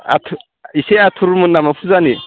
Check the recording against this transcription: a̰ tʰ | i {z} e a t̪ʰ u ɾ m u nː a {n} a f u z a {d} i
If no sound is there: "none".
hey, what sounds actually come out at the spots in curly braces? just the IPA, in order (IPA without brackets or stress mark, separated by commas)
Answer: s, m, n